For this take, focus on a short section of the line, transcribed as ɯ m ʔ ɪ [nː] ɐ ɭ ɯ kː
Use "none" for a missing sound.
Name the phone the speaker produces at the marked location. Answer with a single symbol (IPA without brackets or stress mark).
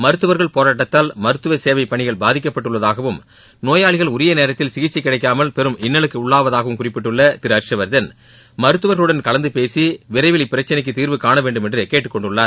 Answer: nː